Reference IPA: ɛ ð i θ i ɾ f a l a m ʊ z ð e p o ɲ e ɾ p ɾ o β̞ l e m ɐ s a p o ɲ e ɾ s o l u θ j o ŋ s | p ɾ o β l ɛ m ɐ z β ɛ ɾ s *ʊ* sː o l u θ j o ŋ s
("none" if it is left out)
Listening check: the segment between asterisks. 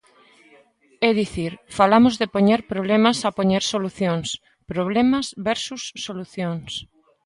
u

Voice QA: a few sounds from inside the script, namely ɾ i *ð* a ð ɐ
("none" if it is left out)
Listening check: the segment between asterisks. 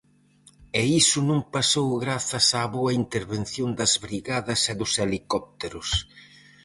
ɣ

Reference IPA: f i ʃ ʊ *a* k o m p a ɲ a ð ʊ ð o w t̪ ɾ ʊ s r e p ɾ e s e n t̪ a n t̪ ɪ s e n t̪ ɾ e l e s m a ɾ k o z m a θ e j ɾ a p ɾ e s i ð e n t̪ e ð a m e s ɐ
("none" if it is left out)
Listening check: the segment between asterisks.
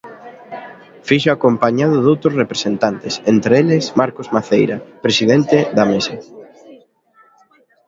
a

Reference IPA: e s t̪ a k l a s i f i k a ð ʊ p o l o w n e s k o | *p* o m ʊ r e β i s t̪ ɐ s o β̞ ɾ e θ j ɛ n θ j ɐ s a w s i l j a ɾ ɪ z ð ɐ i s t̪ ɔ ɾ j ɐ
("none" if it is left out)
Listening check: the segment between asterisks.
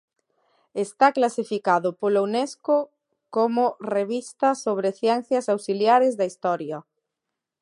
k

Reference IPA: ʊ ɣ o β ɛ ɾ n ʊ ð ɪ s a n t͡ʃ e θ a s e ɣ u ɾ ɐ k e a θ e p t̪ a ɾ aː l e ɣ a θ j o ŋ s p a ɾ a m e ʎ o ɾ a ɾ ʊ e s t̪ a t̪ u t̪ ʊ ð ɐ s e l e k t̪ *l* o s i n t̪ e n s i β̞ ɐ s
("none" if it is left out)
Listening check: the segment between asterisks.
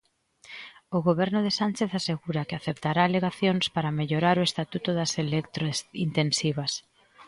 ɾ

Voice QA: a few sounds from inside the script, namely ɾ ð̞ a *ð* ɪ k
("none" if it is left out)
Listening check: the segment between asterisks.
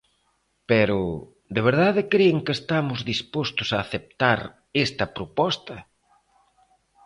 ð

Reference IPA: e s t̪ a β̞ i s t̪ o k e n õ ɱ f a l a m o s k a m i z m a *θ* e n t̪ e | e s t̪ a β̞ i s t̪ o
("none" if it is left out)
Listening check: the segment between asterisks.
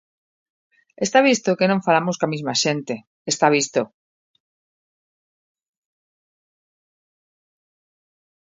ʃ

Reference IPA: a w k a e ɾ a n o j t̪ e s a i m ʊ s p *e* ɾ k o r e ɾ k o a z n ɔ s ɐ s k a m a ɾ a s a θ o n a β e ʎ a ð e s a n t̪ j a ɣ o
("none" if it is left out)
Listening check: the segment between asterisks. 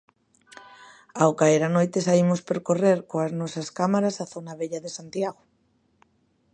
e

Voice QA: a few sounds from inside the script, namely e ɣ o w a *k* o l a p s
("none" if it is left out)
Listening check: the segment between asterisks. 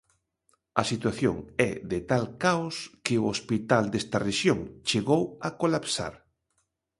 k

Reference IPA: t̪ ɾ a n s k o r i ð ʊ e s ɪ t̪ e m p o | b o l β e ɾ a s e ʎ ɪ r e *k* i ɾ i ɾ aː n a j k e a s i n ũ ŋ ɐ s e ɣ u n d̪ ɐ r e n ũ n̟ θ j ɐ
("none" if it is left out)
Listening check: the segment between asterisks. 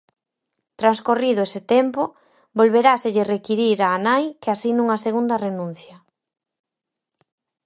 k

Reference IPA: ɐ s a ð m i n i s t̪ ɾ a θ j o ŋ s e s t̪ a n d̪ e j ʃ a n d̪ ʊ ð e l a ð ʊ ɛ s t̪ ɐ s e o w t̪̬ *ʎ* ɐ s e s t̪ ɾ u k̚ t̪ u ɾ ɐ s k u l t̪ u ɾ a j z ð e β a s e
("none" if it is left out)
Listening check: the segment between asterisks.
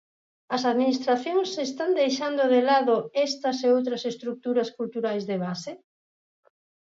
ɾ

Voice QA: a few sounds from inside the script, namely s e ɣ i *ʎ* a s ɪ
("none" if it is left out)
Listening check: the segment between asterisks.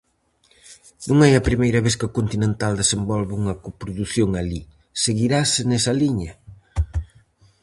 ɾ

